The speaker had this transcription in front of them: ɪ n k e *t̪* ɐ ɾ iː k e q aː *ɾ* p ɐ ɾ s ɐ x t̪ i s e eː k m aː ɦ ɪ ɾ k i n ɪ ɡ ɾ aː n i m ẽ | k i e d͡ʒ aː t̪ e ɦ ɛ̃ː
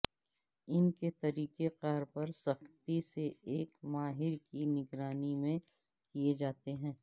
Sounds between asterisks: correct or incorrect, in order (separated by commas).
correct, correct